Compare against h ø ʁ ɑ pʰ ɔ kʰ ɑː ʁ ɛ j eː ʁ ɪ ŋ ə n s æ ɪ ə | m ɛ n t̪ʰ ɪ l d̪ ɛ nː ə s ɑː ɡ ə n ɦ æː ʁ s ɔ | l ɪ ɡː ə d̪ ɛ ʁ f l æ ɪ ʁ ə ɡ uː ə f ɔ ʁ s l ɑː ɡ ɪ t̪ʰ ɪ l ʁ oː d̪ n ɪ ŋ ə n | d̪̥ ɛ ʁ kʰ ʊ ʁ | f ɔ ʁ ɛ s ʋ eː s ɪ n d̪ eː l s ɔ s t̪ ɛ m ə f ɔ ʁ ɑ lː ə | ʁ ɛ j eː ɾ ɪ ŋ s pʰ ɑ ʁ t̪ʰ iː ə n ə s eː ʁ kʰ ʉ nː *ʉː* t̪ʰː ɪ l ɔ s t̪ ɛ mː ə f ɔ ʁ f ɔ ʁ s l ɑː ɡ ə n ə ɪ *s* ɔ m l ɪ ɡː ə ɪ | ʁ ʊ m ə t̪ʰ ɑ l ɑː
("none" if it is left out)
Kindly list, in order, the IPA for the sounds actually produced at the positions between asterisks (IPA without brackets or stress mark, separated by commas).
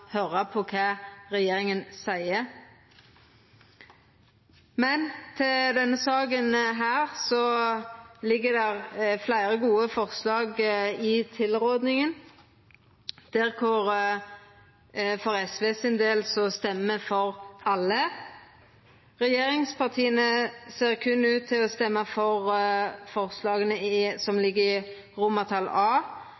ʉː, s